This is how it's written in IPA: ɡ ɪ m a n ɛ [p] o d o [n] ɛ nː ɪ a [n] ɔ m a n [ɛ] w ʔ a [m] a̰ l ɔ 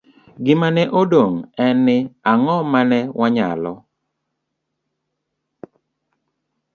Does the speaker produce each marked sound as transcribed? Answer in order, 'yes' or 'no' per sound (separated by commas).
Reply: no, no, no, yes, no